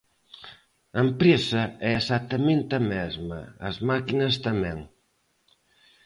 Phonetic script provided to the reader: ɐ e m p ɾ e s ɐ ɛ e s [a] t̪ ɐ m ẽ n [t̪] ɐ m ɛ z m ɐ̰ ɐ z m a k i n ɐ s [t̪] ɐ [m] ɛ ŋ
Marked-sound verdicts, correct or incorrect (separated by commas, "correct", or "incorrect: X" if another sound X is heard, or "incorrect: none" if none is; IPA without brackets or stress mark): correct, correct, correct, correct